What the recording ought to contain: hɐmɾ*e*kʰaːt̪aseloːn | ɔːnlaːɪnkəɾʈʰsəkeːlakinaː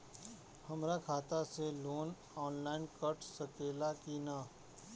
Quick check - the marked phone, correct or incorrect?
incorrect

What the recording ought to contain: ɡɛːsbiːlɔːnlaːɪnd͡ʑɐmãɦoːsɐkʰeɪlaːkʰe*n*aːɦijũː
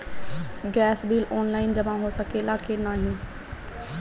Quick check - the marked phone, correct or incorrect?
correct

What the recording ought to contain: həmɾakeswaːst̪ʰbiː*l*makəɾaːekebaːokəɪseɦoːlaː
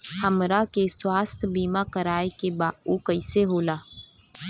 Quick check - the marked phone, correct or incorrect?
incorrect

